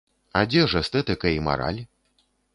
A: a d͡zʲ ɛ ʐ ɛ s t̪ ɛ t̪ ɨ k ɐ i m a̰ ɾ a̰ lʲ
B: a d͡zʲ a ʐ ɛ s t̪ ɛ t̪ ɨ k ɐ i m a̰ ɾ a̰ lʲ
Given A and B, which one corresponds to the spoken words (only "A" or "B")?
A